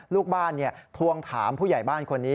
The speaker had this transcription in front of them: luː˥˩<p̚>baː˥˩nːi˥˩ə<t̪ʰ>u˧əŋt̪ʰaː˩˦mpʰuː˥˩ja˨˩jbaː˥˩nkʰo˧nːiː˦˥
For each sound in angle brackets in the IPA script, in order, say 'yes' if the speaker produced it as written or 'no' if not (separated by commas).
no, yes